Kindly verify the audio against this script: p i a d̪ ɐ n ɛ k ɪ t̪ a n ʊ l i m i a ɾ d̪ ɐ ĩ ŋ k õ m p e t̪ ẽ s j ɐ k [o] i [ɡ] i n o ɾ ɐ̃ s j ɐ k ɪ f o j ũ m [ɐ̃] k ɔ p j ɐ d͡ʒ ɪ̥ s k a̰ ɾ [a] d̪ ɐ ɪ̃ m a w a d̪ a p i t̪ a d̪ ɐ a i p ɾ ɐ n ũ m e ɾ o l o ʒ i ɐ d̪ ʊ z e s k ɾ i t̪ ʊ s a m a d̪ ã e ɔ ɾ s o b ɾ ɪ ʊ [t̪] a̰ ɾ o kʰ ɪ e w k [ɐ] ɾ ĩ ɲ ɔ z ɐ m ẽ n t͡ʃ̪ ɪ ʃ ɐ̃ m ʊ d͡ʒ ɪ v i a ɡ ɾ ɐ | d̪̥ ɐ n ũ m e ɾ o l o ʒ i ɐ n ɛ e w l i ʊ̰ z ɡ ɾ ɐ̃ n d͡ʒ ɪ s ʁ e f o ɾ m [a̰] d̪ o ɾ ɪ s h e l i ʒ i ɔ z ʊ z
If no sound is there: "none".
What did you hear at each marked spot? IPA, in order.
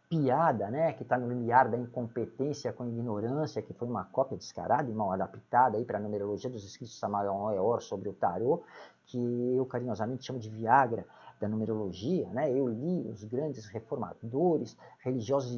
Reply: õ, ɡ, ɐ, a, t̪, a, a̰

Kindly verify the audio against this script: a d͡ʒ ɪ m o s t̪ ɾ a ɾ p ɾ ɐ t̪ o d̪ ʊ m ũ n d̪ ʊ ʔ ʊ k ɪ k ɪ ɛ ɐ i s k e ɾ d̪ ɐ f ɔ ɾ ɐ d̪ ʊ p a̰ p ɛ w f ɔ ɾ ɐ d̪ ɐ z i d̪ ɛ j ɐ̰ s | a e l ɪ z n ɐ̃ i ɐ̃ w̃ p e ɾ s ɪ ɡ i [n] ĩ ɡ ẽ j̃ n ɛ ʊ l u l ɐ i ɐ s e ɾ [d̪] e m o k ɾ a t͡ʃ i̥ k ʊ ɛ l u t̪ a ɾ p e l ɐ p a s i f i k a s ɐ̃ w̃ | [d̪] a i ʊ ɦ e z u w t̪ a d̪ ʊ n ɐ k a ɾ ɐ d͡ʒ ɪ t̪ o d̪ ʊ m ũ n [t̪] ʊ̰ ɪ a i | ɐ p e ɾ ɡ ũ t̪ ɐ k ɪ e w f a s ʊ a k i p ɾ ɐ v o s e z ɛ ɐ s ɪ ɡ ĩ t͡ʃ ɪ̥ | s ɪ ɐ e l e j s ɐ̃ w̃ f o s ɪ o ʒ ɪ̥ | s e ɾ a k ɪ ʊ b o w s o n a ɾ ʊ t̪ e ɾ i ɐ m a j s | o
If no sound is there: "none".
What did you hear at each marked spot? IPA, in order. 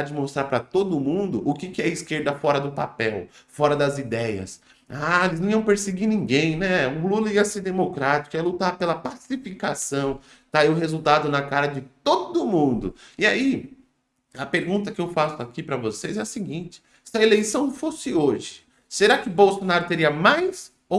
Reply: n, d̪, t̪, d̪

